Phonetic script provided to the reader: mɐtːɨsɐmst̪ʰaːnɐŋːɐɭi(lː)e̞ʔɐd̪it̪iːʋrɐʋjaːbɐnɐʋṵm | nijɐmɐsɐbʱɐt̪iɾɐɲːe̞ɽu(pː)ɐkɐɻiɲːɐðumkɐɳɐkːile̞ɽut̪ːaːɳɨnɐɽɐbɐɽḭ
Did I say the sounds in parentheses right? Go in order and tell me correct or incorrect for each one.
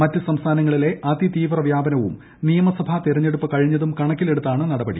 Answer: incorrect, correct

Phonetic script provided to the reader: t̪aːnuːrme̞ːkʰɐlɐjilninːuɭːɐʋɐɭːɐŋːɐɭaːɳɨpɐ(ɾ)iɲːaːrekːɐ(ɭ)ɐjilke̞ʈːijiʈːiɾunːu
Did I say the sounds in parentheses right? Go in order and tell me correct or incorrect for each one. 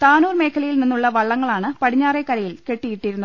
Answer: incorrect, incorrect

